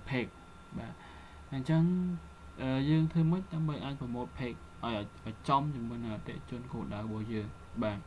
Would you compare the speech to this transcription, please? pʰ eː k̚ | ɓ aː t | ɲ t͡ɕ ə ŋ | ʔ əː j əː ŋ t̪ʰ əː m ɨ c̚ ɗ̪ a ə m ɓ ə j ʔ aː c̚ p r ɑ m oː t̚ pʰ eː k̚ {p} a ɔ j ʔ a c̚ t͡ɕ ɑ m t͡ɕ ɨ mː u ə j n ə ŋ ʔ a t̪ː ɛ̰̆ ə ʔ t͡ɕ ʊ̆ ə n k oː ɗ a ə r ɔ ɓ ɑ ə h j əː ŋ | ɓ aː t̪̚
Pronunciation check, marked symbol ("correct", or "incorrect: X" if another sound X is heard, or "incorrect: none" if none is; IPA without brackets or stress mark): incorrect: ʔ